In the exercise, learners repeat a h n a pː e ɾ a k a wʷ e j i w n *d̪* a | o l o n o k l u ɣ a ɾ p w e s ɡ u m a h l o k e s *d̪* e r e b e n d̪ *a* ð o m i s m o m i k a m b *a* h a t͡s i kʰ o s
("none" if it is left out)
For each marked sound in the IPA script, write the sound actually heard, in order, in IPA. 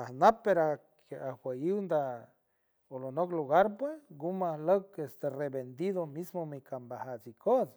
d̪, t̪, i, a

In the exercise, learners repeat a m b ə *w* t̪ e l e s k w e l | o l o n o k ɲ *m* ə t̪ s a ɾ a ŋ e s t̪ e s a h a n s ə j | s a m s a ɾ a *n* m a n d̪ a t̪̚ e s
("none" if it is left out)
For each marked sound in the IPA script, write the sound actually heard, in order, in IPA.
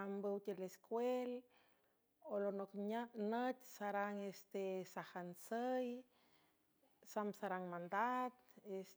w, n, ŋ

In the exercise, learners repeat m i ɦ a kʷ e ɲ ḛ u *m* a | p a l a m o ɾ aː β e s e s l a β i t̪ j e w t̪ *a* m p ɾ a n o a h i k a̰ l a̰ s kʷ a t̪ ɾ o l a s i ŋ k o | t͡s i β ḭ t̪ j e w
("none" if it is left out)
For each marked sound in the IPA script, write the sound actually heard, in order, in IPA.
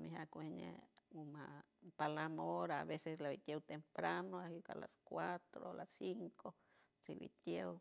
m, e

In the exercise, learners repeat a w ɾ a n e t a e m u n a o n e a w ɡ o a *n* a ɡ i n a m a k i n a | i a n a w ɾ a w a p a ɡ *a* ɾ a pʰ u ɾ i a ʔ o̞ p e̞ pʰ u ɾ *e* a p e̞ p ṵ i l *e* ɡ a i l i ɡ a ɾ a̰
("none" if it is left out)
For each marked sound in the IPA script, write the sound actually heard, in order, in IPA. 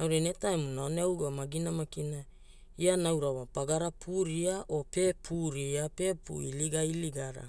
m, a, i, i

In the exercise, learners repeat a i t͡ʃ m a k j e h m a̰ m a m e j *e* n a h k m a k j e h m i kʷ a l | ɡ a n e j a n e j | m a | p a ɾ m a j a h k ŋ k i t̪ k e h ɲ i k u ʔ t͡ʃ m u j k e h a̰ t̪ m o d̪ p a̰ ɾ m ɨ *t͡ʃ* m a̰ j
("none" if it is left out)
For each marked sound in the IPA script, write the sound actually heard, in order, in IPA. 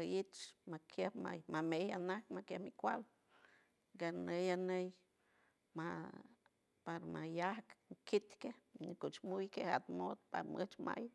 a, t͡ʃ

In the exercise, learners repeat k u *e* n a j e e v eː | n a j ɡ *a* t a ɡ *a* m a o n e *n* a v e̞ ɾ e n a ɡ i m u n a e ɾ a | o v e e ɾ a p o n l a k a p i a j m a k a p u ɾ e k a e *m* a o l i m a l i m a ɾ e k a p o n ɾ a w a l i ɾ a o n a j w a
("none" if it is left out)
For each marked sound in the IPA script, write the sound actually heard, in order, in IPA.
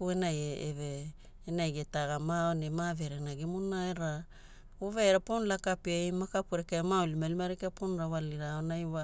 e, e, a, m, m

